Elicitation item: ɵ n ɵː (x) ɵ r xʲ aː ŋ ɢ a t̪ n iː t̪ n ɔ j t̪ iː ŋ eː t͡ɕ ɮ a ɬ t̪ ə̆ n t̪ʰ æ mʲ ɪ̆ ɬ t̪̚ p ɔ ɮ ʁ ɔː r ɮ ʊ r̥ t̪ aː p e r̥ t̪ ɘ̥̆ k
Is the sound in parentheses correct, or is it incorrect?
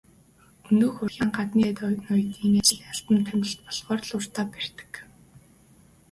correct